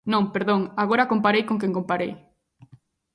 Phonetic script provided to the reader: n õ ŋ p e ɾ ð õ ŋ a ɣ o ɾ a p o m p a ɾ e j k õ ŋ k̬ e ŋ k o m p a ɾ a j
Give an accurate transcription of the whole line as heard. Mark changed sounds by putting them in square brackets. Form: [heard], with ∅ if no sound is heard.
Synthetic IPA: n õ ŋ p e ɾ ð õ ŋ a ɣ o ɾ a [k] o m p a ɾ e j k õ ŋ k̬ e ŋ k o m p a ɾ [e] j